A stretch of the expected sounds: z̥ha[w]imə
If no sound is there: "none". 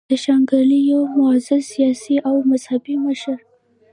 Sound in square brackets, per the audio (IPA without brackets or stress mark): b